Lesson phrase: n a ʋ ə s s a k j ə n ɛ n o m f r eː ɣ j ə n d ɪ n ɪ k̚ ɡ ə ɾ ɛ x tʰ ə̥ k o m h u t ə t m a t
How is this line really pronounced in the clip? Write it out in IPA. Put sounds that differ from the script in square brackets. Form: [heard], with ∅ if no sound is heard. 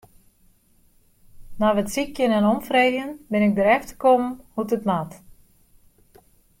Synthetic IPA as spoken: n a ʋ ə [t] s [i] k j ə n ɛ n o m f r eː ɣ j ə n [b] ɪ n ɪ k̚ [d] ə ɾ ɛ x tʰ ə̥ k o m h u t ə t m a t